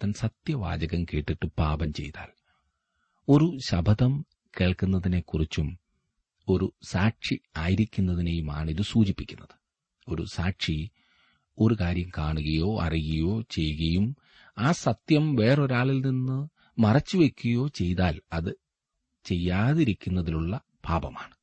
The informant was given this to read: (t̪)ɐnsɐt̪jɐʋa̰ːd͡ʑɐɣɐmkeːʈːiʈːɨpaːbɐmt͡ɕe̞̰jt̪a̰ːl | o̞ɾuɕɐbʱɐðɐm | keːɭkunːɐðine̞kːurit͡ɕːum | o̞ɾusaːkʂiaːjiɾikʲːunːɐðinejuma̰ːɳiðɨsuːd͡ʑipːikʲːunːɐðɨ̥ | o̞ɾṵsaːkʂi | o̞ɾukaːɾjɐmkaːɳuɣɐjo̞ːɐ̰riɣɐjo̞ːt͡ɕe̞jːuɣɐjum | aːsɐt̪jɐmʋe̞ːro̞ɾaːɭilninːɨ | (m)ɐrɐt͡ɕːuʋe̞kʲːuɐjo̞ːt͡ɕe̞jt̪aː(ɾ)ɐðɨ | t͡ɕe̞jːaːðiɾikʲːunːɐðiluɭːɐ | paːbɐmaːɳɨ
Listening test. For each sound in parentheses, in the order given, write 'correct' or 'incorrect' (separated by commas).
correct, correct, incorrect